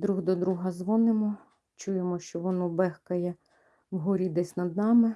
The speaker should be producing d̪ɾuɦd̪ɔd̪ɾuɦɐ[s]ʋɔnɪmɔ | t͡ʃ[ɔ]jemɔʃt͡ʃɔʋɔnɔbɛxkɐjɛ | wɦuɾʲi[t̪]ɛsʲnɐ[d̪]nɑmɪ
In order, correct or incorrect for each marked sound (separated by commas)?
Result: incorrect, incorrect, incorrect, correct